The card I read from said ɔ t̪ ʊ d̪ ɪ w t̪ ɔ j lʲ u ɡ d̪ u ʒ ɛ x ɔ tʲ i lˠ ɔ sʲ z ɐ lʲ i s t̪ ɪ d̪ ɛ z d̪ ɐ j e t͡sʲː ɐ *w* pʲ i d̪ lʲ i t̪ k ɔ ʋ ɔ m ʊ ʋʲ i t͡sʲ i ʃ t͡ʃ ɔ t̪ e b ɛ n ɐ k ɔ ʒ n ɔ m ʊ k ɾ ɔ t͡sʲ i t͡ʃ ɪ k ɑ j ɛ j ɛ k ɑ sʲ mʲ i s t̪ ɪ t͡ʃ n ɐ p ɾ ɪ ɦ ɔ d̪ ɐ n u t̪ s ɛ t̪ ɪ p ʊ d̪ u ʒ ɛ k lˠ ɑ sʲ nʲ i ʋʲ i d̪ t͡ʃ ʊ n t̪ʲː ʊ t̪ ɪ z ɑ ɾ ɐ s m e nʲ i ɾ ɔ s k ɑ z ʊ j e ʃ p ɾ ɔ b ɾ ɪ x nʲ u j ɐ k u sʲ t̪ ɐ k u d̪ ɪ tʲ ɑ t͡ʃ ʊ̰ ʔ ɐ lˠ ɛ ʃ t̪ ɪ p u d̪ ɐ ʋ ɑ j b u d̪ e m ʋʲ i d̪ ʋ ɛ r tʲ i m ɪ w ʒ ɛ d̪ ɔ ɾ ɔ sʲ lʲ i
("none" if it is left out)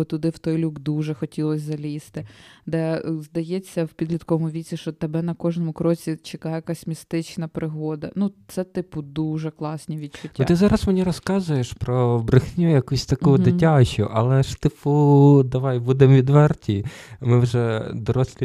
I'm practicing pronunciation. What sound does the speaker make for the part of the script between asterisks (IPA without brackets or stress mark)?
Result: w